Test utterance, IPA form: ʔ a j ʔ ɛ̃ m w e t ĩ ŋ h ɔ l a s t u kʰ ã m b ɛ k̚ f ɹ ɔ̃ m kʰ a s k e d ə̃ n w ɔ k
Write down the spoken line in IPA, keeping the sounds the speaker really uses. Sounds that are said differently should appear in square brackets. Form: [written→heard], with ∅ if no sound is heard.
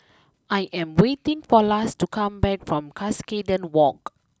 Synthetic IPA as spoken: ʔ a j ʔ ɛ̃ m w e t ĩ ŋ [h→f] ɔ l a s t u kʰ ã m b ɛ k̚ f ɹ ɔ̃ m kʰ a s k e d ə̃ n w ɔ k